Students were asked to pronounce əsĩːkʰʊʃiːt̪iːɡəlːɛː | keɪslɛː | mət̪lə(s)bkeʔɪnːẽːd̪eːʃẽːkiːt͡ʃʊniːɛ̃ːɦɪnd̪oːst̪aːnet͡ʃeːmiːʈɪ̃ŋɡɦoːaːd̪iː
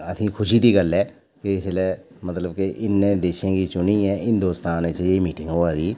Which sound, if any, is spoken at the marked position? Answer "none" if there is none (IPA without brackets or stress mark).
none